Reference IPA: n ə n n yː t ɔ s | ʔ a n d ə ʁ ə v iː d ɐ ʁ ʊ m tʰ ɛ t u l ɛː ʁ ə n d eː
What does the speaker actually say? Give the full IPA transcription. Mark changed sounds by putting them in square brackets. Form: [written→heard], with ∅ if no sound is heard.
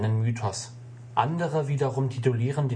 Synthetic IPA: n ə n [n→m] yː [t→tʰ] ɔ s | ʔ a n d ə ʁ ə v iː d ɐ ʁ ʊ m tʰ [ɛ→i] t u l [ɛː→iː] ʁ ə n d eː